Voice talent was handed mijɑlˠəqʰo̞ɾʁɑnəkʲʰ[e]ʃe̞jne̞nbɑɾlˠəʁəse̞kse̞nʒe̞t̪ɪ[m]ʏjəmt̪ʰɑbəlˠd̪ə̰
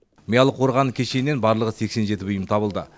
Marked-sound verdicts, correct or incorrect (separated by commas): correct, incorrect